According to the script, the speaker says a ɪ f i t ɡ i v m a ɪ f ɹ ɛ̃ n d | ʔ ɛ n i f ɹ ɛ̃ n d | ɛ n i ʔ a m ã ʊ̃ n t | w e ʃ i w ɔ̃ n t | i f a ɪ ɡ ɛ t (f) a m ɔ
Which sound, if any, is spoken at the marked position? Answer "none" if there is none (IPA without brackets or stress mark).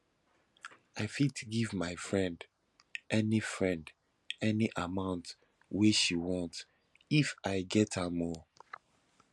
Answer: h